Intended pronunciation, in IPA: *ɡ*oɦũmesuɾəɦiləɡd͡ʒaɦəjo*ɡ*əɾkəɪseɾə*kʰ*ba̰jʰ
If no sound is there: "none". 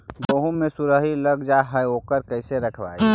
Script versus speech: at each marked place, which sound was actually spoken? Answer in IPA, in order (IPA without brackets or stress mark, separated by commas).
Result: b, k, kʰ